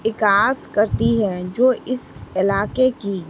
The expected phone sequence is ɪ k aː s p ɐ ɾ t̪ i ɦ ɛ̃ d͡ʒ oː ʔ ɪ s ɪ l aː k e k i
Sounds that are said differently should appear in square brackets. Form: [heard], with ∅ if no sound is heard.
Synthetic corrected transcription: ɪ k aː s [k] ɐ ɾ t̪ i ɦ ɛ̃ d͡ʒ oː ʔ ɪ s ɪ l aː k e k i